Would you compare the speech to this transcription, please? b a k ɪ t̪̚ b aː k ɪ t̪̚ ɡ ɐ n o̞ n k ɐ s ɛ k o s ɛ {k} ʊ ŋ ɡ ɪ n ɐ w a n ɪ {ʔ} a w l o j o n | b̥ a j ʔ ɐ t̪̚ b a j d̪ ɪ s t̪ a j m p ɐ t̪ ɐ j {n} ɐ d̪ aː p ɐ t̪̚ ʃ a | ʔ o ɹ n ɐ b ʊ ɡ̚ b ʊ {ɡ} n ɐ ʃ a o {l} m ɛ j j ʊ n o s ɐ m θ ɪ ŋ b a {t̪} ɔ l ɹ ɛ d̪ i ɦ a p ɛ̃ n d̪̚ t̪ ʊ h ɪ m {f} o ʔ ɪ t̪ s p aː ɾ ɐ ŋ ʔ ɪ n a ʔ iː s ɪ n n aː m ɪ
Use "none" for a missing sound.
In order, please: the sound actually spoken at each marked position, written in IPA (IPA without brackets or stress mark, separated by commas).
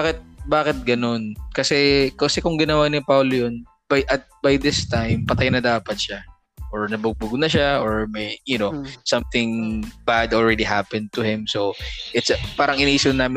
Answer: k, p, n, ɡ, ɹ, d̪, s